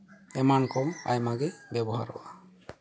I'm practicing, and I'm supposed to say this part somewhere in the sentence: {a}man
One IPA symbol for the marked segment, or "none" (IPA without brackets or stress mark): ɛ